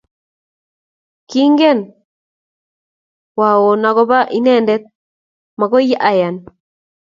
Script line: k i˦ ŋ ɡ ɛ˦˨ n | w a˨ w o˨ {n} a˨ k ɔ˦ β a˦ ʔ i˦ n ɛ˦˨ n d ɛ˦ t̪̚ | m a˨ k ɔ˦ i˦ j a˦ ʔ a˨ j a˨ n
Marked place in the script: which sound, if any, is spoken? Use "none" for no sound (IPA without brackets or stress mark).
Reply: n